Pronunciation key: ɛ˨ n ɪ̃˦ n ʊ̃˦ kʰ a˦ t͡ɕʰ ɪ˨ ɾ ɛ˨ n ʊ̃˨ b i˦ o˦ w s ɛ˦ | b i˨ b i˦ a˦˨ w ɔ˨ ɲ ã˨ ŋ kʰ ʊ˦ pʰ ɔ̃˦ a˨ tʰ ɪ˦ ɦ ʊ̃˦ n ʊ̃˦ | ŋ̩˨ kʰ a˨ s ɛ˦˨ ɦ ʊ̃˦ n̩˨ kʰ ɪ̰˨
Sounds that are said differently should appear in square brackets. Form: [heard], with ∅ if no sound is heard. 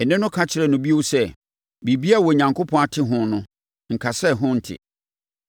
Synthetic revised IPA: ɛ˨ n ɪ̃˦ n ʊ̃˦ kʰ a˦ t͡ɕʰ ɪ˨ ɾ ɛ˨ n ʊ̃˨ b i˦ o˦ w s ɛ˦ | b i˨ b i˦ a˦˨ w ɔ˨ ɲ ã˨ ŋ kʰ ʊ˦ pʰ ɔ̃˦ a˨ tʰ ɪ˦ ɦ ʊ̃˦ n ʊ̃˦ | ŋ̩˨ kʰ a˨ s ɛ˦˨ ɦ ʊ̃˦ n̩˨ [tʰ] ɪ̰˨